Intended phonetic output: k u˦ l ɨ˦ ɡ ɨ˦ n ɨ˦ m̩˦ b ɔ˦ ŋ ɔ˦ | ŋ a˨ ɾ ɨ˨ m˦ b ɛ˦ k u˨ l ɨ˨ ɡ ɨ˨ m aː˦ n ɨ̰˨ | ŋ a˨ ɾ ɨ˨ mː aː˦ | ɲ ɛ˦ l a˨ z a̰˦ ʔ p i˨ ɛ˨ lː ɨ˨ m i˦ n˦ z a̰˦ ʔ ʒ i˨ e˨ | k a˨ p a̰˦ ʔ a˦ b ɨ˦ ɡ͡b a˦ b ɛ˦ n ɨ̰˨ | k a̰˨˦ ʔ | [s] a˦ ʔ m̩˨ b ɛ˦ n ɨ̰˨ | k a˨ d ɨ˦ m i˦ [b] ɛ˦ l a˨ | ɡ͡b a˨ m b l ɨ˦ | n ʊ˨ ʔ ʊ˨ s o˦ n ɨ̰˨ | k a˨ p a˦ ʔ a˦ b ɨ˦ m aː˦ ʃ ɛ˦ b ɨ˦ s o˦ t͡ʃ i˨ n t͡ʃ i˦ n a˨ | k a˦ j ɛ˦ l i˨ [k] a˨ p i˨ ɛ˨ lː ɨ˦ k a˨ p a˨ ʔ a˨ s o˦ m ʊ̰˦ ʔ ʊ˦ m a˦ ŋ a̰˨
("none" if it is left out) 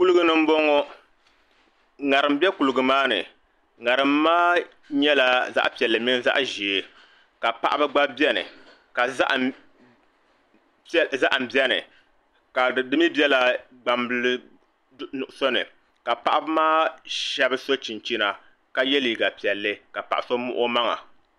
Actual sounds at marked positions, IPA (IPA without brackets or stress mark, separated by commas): z, b, ɡ